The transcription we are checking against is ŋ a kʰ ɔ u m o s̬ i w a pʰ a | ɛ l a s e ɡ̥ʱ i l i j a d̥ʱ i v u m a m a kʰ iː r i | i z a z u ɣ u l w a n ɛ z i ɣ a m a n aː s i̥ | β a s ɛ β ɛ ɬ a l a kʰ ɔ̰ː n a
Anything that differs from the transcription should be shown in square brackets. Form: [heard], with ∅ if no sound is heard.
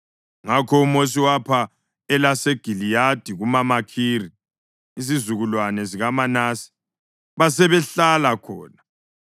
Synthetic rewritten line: ŋ a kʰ ɔ u m o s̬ i w a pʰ a | ɛ l a s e ɡ̥ʱ i l i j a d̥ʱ i [ɣ] u m a m a kʰ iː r i | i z [i] z u ɣ u l w a n ɛ z i ɣ a m a n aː s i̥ | β a s ɛ β ɛ ɬ a l a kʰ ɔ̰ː n a